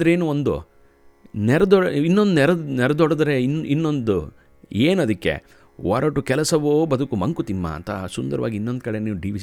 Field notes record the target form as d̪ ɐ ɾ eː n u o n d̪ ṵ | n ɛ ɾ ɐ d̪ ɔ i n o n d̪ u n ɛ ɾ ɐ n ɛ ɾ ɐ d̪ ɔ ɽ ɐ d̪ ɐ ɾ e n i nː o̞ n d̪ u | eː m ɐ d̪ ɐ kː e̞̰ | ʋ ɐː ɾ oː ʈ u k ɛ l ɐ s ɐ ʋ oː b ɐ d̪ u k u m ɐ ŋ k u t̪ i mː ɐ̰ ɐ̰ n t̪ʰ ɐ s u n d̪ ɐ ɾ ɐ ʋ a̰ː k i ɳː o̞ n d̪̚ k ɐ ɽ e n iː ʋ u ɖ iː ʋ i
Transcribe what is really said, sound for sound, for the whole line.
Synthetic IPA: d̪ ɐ ɾ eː n u o n d̪ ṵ | n ɛ ɾ ɐ d̪ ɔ i nː o n d̪ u n ɛ ɾ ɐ n ɛ ɾ ɐ d̪ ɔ ɽ ɐ d̪ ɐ ɾ e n i nː o̞ n d̪ u | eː n ɐ d̪ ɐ kː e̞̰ | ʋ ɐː ɾ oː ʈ u k ɛ l ɐ s ɐ ʋ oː b ɐ d̪ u k u m ɐ ŋ k u t̪ i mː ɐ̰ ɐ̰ n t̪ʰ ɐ s u n d̪ ɐ ɾ ɐ ʋ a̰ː ɡ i nː o̞ n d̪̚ k ɐ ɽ e n iː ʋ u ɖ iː ʋ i